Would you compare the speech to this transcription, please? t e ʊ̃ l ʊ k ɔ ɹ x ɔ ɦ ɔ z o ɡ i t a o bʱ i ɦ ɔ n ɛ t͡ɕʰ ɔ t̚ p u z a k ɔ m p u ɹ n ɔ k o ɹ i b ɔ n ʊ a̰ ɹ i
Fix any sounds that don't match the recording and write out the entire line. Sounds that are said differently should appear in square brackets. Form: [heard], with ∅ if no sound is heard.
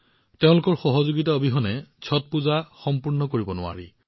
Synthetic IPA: t e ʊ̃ l ʊ k ɔ ɹ x ɔ ɦ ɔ z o ɡ i t a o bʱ i ɦ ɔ n ɛ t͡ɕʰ ɔ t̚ p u z a [x] ɔ m p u ɹ n ɔ k o ɹ i b ɔ n ʊ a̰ ɹ i